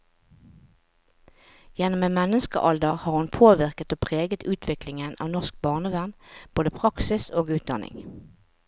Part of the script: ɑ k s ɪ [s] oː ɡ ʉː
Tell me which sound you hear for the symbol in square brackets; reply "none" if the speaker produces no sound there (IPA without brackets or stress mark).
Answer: s